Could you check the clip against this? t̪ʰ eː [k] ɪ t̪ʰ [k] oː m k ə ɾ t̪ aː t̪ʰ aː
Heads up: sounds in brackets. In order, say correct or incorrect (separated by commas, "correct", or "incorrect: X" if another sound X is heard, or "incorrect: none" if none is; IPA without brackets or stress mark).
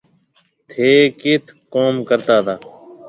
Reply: correct, correct